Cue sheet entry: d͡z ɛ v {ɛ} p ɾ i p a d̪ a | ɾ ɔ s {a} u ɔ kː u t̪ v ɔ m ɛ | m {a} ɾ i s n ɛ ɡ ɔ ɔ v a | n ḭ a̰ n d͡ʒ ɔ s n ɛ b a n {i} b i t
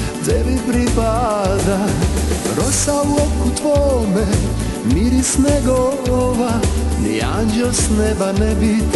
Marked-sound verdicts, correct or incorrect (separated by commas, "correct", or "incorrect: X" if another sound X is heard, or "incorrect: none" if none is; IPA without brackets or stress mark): incorrect: i, correct, incorrect: i, incorrect: ɛ